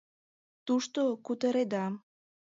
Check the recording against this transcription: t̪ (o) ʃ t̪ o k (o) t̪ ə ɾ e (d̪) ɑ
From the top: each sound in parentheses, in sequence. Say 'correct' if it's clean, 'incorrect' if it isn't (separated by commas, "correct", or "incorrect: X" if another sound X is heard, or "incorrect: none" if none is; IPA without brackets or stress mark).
incorrect: u, incorrect: u, correct